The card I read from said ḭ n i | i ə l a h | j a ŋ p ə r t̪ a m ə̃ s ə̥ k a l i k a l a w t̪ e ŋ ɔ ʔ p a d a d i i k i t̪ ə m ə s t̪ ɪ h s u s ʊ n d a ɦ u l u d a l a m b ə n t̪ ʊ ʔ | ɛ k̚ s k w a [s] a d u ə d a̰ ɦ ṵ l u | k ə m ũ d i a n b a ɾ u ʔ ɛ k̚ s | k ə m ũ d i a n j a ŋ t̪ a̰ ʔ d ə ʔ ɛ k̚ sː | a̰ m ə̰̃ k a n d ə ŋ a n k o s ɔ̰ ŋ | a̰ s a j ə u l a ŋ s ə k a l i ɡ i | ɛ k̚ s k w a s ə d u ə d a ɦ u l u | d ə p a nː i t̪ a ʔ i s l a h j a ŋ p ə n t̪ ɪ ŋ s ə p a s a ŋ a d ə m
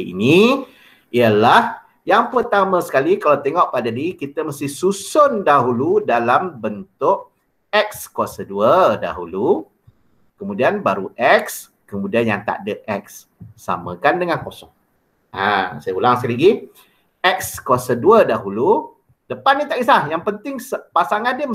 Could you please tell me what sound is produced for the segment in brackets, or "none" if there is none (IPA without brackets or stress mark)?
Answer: s